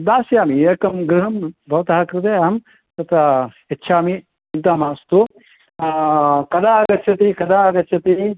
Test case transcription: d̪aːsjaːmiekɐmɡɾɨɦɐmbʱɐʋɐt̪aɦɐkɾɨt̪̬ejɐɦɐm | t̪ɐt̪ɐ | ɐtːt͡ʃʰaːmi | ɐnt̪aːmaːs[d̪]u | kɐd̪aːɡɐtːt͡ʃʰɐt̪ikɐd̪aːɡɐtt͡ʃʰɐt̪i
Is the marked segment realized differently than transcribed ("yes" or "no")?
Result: yes